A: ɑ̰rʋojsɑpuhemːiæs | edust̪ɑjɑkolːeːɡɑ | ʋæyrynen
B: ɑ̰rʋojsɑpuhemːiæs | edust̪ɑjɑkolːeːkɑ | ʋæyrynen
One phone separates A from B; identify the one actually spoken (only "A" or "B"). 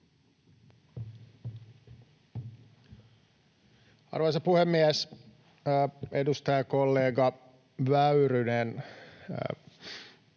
A